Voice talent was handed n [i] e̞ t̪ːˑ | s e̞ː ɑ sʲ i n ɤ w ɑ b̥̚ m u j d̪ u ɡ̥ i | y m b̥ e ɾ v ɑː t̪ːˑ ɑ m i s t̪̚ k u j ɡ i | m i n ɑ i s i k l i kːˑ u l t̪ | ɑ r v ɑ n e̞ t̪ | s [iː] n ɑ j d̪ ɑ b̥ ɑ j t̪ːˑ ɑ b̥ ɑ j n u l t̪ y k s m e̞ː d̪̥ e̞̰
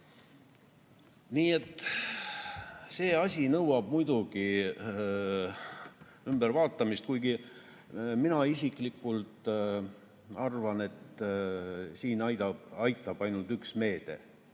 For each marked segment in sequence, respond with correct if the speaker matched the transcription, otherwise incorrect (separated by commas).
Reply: incorrect, correct